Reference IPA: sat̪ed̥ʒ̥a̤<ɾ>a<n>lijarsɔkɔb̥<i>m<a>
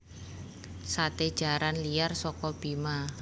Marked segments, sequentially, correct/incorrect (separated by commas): correct, correct, correct, correct